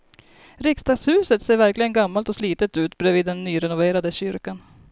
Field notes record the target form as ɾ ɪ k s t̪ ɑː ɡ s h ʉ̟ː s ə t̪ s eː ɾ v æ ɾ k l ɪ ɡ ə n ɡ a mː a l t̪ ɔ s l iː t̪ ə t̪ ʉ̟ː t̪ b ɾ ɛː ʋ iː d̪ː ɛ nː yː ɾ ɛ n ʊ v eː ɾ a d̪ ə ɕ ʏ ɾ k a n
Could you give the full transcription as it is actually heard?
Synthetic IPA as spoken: ɾ ɪ k s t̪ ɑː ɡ s h ʉ̟ː s ə t̪ s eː ɾ v æ ɾ k l ɪ ɡ ə n ɡ a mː a l t̪ ɔ s l iː t̪ ə t̪ ʉ̟ː t̪ b ɾ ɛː v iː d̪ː ɛ nː yː ɾ ɛ n ʊ v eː ɾ a d̪ ə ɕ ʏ ɾ k a n

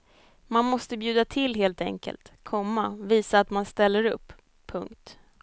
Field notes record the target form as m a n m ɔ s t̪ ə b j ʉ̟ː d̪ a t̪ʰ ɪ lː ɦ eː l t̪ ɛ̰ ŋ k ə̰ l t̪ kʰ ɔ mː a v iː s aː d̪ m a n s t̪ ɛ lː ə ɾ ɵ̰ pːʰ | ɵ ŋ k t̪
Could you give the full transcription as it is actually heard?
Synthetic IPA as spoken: m a n m ɔ s t̪ ə b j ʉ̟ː d̪ a t̪ʰ ɪ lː ɦ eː l t̪ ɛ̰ ŋ k ə̰ l t̪ kʰ ɔ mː a v iː s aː t̪ m a n s t̪ ɛ lː ə ɾ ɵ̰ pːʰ | ɵ ŋ k t̪

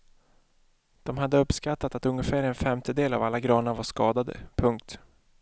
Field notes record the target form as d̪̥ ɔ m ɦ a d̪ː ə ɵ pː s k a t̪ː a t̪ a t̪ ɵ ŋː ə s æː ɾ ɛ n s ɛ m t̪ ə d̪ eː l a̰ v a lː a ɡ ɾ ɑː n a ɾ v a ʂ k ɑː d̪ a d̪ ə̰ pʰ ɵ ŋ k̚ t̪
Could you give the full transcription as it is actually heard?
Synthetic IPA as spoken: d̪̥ ɔ m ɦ a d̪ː ə ɵ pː s k a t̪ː a t̪ a t̪ ɵ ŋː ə f æː ɾ ɛ n f ɛ m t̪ ə d̪ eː l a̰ v a lː a ɡ ɾ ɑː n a ɾ v a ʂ k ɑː d̪ a d̪ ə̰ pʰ ɵ ŋ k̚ t̪

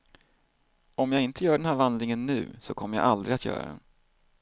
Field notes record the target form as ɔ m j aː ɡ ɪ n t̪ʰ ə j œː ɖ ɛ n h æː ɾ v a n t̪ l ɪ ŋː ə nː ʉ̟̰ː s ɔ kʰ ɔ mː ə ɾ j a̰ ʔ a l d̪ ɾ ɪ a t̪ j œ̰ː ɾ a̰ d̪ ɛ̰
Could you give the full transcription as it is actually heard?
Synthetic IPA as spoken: ɔ m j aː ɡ ɪ n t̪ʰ ə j œː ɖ ɛ n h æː ɾ v a n d̪ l ɪ ŋ ə nː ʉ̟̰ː s ɔ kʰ ɔ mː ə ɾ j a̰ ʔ a l d̪ ɾ ɪ a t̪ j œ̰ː ɾ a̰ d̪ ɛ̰

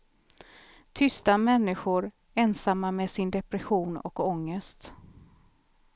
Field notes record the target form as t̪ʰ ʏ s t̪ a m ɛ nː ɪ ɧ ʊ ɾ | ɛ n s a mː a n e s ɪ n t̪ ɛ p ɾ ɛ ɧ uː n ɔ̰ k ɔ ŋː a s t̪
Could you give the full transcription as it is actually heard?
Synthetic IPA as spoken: t̪ʰ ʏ s t̪ a m ɛ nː ɪ ɧ ʊ ɾ | ɛ n s a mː a m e s ɪ n d̪ ɛ p ɾ ɛ ɧ uː n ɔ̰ k ɔ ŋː ə s t̪

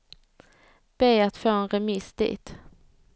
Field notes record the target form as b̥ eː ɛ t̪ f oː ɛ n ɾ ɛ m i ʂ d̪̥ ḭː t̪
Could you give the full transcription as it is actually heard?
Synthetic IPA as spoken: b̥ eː a t̪ f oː ɛ n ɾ ɛ m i s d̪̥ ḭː t̪

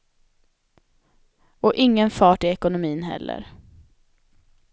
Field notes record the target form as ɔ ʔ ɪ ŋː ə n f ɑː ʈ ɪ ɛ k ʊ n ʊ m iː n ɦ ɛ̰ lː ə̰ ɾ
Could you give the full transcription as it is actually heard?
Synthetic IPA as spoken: ɔ ʔ ɪ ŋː ə n f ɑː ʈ ɪ ɛ k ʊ n ʊ m iː n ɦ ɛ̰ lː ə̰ ɾ

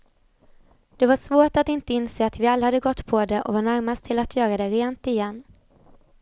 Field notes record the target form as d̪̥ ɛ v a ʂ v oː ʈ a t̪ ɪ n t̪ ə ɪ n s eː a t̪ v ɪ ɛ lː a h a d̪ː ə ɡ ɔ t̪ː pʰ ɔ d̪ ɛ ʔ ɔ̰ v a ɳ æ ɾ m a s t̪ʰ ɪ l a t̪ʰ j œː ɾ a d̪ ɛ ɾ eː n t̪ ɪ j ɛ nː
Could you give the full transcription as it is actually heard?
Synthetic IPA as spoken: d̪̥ ɛ v a ʂ v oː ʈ a t̪ ɪ n t̪ ə ɪ n s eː a t̪ v ɪ a lː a h a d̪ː ə ɡ ɔ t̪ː pʰ ɔ d̪ ɛ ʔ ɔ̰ v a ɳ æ ɾ m a s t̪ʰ ɪ l a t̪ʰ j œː ɾ a d̪ ɛ ɾ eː n t̪ ɪ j ɛ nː

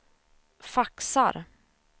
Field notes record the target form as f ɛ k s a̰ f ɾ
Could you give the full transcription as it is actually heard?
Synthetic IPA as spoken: f a k s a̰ ɾ

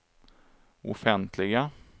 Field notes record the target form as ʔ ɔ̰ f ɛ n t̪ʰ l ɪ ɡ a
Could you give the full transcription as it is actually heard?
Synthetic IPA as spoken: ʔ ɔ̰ f ɛ n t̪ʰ l ɪ ɡ a

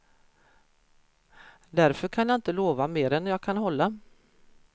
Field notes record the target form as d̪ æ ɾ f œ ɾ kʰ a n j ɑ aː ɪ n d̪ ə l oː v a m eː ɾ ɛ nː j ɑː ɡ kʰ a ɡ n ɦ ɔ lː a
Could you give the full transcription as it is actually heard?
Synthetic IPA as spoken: d̪ æ ɾ f œ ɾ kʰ a n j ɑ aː ɪ n t̪ ə l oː v a m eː ɾ ɛ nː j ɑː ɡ kʰ a n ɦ ɔ lː a

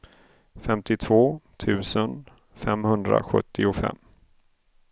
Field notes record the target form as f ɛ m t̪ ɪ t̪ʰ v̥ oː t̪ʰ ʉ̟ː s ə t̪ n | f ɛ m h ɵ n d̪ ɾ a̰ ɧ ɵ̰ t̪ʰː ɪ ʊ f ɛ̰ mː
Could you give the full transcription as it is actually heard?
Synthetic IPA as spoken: f ɛ m t̪ ɪ t̪ʰ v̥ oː t̪ʰ ʉ̟ː s ə n | f ɛ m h ɵ n d̪ ɾ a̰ ɧ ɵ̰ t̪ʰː ɪ ʊ f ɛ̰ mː

